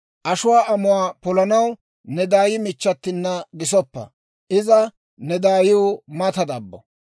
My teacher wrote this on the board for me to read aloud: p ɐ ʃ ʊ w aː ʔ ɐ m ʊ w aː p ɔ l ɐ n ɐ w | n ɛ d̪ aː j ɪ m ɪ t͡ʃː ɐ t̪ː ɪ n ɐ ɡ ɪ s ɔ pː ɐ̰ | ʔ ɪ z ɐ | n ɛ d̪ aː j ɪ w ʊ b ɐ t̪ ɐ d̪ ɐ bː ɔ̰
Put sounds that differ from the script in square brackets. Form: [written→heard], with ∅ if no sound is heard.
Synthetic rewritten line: [p→ʔ] ɐ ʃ ʊ w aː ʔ ɐ m ʊ w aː p ɔ l ɐ n ɐ w | n ɛ d̪ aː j ɪ m ɪ t͡ʃː ɐ t̪ː ɪ [n→nː] ɐ ɡ ɪ s ɔ pː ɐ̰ | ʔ ɪ z ɐ | n ɛ d̪ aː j ɪ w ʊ [b→m] ɐ t̪ ɐ d̪ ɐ bː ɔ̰

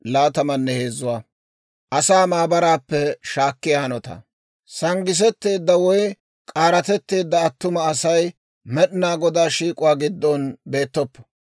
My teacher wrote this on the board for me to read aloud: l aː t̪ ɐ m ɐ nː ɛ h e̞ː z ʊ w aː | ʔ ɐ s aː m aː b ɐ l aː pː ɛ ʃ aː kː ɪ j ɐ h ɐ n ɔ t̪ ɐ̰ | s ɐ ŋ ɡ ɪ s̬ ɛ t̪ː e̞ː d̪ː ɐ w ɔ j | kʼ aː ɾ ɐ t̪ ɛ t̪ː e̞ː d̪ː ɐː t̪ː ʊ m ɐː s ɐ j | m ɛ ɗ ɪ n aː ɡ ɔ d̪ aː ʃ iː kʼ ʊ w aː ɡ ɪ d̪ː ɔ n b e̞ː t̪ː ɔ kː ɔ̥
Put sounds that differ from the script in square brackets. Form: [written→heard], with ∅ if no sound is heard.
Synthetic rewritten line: l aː t̪ ɐ m ɐ nː ɛ h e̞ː z ʊ w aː | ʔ ɐ s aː m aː b ɐ [l→ɾ] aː pː ɛ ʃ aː kː ɪ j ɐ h ɐ n ɔ t̪ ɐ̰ | s ɐ ŋ ɡ ɪ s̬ ɛ t̪ː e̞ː d̪ː ɐ w ɔ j | kʼ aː ɾ ɐ t̪ ɛ t̪ː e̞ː d̪ː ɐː t̪ː ʊ m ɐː s ɐ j | m ɛ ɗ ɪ n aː ɡ ɔ d̪ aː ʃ iː kʼ ʊ w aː ɡ ɪ d̪ː ɔ n b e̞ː t̪ː ɔ [kː→pː] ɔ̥

